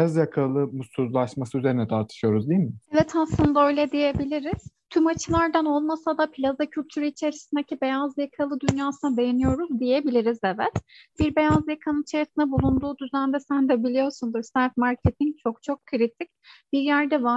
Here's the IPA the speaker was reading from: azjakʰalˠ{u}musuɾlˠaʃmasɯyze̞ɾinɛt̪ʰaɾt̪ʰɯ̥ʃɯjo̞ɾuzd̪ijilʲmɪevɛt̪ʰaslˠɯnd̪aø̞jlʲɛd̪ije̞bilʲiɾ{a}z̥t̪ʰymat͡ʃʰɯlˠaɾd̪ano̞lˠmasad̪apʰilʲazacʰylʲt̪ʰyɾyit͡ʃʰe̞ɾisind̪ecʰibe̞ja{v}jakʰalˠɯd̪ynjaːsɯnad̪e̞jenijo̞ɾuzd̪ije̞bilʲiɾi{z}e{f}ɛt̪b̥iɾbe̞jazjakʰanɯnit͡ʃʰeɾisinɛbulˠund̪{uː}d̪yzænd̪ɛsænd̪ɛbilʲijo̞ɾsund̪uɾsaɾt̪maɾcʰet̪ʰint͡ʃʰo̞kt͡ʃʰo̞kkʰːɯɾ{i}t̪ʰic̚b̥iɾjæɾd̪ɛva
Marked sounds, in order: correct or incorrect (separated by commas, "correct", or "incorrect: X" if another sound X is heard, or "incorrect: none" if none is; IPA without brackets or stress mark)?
incorrect: ɯ, incorrect: i, incorrect: z, correct, incorrect: v, correct, correct